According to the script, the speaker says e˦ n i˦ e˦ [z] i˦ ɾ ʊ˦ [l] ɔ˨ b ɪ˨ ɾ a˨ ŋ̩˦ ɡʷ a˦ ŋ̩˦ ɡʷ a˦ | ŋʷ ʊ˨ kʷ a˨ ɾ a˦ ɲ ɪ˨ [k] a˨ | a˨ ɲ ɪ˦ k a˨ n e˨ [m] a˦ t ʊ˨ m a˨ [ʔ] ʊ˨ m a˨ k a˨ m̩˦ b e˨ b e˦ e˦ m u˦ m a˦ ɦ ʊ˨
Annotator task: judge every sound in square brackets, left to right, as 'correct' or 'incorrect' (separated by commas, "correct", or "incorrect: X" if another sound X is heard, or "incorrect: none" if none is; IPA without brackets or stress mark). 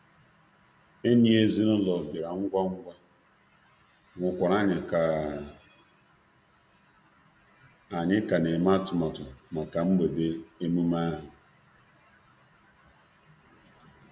correct, correct, correct, correct, incorrect: t